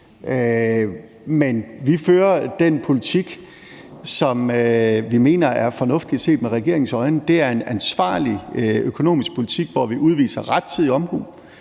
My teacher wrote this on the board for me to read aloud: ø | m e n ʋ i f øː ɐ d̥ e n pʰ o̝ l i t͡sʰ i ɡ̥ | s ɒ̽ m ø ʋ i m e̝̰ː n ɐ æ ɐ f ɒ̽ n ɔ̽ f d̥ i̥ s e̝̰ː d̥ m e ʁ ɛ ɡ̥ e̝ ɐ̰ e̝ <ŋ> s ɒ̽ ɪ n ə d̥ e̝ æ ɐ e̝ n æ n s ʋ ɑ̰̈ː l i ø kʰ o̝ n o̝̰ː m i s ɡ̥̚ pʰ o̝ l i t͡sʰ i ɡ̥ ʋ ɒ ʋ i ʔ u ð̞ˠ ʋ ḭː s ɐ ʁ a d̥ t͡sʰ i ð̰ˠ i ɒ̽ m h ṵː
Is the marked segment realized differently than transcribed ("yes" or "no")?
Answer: no